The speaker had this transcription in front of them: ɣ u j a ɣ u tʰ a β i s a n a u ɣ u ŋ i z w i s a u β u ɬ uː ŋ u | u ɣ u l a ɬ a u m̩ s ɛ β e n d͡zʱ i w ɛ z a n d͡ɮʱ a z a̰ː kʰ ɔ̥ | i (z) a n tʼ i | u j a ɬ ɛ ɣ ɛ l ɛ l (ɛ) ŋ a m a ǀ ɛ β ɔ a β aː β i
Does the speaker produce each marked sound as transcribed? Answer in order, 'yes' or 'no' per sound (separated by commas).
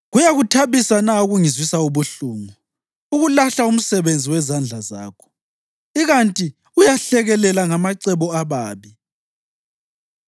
no, no